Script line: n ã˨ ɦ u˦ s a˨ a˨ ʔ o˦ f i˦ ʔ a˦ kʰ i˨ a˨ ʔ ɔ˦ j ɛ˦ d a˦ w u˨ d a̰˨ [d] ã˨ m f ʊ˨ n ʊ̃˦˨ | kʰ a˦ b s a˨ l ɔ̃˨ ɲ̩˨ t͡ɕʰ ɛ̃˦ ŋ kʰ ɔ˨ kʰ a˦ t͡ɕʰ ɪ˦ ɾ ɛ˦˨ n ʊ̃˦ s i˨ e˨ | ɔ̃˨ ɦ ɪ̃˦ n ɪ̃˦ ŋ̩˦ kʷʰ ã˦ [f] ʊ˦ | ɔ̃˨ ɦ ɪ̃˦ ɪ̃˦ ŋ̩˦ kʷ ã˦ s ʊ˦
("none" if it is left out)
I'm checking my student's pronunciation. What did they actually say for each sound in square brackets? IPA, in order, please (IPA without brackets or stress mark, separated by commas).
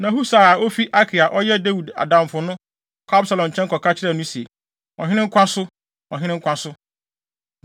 d, s